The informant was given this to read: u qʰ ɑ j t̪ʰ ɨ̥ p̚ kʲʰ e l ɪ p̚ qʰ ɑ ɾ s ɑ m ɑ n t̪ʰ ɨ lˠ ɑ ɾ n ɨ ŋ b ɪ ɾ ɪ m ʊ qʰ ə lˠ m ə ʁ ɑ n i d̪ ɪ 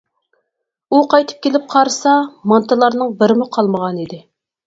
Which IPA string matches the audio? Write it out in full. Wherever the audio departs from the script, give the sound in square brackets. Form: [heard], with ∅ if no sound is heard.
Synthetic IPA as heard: u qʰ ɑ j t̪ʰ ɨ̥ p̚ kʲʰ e l ɪ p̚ qʰ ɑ ɾ s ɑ m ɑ n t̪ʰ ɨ lˠ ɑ ɾ n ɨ ŋ b ɪ ɾ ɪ m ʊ qʰ [ɑ] lˠ m ə ʁ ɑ n i d̪ ɪ